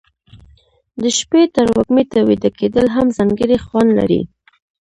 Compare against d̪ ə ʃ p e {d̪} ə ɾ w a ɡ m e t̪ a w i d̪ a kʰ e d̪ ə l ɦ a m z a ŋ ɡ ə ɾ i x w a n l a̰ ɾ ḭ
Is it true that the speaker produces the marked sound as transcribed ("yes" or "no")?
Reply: no